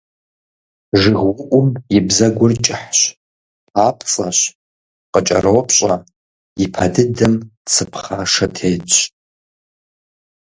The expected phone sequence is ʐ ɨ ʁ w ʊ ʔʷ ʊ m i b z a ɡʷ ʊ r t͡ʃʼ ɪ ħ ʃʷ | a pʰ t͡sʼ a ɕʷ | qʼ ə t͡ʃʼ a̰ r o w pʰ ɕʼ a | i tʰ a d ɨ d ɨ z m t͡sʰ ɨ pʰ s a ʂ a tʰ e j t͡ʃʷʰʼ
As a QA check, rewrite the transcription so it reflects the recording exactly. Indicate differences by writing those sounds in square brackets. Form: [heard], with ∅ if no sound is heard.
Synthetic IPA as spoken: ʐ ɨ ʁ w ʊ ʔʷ ʊ m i b z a ɡʷ ʊ r t͡ʃʼ ɪ ħ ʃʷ | a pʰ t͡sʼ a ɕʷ | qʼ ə t͡ʃʼ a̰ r o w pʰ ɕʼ a | i [pʰ] a d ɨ d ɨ [∅] m t͡sʰ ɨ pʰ [χ] a ʂ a tʰ e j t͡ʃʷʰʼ